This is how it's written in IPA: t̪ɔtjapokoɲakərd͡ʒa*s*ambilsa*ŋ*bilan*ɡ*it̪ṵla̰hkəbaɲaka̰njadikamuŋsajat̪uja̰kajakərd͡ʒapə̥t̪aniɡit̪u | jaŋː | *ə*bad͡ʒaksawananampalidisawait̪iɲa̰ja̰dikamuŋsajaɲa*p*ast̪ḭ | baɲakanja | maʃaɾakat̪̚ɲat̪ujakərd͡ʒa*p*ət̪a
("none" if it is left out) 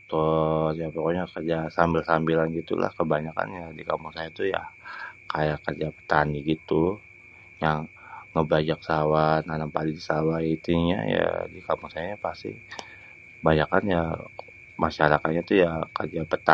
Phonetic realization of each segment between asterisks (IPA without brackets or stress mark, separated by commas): s, m, ɡ, ə, p, p